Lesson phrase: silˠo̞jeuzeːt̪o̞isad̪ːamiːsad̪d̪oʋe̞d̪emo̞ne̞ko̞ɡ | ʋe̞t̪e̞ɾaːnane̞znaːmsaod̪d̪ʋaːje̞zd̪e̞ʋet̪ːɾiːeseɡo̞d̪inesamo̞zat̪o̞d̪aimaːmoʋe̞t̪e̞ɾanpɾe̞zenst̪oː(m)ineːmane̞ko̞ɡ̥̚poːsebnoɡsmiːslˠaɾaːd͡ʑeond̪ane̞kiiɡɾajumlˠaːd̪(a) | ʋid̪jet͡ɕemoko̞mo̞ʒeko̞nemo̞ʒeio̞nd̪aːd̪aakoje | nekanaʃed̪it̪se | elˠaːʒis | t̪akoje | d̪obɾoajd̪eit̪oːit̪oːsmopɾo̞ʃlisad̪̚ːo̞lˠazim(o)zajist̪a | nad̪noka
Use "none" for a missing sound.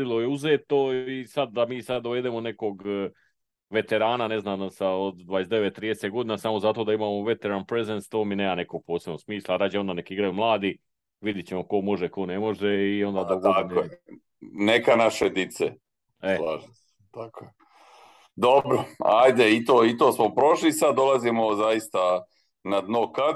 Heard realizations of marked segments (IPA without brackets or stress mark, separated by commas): m, i, o